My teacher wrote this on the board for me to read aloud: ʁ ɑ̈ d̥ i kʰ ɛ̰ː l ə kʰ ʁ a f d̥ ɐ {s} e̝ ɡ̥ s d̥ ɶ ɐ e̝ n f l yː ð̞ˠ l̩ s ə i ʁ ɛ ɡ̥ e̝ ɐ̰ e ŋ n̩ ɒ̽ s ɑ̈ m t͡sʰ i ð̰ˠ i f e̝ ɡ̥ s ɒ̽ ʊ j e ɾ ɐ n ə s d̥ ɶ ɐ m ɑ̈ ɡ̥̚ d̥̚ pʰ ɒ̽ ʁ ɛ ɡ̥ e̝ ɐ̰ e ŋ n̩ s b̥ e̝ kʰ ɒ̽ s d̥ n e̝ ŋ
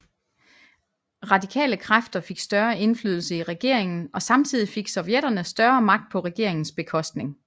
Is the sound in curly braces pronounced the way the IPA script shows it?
no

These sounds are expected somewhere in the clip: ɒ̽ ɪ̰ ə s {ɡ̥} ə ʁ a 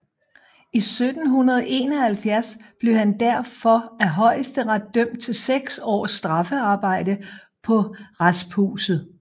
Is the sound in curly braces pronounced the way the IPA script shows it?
no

